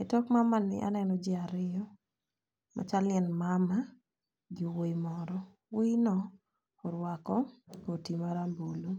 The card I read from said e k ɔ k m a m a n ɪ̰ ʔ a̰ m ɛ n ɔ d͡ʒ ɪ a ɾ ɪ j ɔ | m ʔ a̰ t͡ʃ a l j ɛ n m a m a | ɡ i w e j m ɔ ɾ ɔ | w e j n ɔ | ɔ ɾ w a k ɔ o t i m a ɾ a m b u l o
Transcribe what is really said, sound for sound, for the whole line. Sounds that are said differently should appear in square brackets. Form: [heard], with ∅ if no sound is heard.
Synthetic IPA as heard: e [t] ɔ k m a m a n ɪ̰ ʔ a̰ [n] ɛ n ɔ d͡ʒ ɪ a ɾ ɪ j ɔ | m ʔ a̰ t͡ʃ a l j ɛ n m a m a | ɡ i w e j m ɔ ɾ ɔ | w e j n ɔ | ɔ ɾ w a k ɔ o t i m a ɾ a m b [o] l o